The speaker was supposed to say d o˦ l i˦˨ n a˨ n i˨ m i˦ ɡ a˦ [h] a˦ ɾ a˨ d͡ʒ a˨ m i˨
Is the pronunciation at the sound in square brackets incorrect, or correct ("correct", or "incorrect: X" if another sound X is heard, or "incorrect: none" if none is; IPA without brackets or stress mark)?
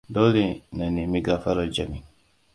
incorrect: f